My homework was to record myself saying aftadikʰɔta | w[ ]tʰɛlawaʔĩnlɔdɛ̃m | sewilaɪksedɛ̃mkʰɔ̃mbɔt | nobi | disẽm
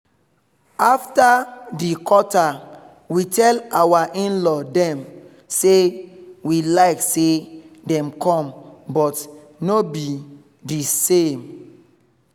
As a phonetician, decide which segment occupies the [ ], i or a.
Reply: i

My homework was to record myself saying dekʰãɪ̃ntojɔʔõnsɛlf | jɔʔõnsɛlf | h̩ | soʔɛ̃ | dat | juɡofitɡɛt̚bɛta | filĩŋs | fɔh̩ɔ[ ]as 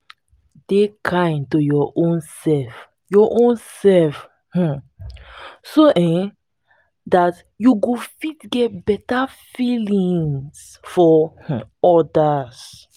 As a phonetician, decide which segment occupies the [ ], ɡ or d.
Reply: d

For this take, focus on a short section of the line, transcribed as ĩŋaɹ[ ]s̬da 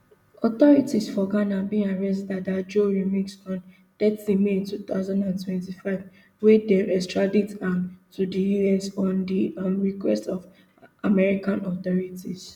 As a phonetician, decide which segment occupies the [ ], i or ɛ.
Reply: ɛ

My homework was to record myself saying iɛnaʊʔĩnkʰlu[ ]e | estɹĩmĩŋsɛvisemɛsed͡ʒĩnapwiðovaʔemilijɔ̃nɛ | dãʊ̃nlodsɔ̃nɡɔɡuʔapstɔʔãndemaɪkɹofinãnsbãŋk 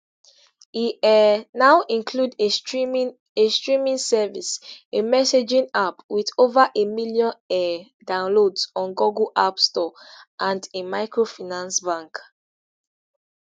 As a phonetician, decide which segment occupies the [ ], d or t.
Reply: d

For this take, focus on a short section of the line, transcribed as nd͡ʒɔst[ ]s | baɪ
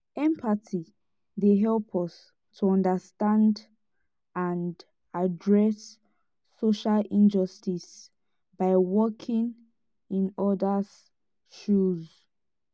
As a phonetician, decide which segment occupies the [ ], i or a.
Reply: i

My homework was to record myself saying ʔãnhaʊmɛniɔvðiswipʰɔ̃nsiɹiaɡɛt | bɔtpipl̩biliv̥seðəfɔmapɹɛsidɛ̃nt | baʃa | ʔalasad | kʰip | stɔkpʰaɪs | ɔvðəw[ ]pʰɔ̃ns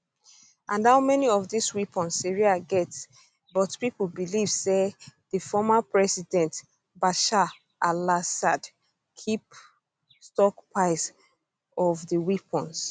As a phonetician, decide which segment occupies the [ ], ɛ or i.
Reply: i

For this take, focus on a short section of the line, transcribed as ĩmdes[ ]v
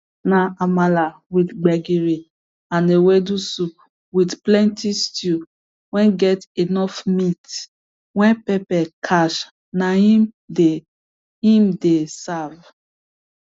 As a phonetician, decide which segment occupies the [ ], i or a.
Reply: a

